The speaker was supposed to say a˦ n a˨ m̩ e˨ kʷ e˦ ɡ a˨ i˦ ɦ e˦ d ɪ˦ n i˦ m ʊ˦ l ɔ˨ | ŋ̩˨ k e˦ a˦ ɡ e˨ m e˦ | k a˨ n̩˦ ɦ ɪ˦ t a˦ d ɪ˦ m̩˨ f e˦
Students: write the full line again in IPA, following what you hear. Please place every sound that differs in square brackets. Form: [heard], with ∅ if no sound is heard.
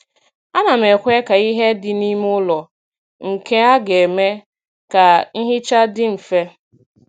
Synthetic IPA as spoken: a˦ n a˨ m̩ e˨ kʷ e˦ [k] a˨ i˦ ɦ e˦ d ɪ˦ n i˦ m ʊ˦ l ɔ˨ | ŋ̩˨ k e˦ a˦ ɡ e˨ m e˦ | k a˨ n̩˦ ɦ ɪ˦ [t͡ʃ] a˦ d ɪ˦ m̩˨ f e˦